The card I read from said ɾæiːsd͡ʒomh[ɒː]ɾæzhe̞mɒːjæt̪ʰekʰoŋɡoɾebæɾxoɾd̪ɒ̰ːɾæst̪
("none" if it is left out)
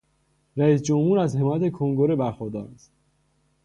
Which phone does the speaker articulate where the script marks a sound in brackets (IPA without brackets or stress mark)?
uː